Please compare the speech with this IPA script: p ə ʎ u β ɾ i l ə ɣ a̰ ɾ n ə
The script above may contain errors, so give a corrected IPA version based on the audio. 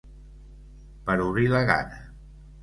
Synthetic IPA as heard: p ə ɾ u β ɾ i l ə ɣ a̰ n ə